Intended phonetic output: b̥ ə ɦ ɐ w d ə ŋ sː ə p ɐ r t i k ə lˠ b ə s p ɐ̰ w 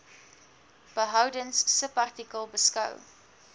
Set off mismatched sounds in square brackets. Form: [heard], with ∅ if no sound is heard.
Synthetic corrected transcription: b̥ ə ɦ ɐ w d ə [n] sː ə p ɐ r t i k ə lˠ b ə s [k] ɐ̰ w